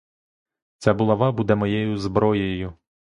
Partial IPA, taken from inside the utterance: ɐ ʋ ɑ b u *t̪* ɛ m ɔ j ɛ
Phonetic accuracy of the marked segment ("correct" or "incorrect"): incorrect